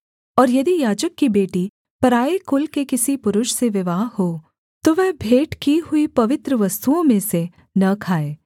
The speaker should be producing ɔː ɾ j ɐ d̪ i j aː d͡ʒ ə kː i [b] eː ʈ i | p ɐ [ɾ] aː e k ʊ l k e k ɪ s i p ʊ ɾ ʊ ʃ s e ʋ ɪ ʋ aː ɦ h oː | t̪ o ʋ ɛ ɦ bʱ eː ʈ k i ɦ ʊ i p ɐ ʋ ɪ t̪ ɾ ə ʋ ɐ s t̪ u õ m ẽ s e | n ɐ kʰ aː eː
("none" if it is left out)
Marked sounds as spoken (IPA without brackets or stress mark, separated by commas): b, ɾ